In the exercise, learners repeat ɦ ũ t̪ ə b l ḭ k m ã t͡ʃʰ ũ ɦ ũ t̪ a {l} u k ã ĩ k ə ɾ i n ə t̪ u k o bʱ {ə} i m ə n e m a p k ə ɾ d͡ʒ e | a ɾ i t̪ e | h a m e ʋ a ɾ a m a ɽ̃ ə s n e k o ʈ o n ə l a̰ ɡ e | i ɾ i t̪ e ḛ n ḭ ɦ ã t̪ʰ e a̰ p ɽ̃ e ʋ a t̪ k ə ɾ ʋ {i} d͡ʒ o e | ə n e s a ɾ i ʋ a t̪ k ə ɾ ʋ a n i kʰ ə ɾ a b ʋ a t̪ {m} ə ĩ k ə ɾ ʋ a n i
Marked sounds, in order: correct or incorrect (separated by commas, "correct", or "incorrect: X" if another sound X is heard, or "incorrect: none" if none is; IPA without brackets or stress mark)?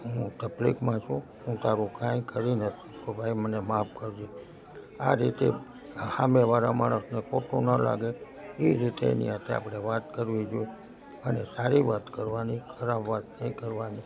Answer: incorrect: ɾ, incorrect: a, correct, incorrect: n